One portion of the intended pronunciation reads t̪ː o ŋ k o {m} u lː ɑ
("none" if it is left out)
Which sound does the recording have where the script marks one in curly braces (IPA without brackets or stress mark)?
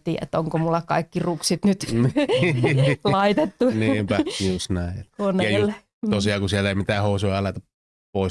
m